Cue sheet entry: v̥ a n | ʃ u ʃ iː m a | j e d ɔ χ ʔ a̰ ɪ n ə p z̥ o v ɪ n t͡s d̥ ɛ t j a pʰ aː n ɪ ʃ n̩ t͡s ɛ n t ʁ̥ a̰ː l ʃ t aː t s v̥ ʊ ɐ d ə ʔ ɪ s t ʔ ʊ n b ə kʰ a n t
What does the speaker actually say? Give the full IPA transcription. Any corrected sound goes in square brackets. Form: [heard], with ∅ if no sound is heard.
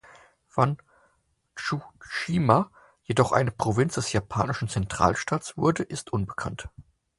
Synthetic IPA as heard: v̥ a n | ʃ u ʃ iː m a | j e d ɔ χ ʔ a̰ ɪ n ə p [ʁ̥] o v ɪ n t͡s d̥ ɛ [s] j a pʰ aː n ɪ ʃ n̩ t͡s ɛ n t ʁ̥ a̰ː l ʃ t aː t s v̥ ʊ ɐ d ə ʔ ɪ s t ʔ ʊ n b ə kʰ a n t